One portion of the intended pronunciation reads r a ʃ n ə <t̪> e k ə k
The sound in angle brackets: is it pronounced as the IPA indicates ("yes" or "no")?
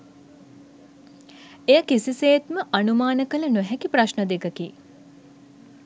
no